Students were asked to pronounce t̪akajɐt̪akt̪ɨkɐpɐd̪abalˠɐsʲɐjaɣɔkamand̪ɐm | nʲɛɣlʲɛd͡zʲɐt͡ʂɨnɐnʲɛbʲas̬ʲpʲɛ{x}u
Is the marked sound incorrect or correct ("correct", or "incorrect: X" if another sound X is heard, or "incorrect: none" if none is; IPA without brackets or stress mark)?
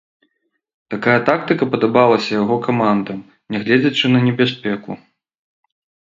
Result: incorrect: k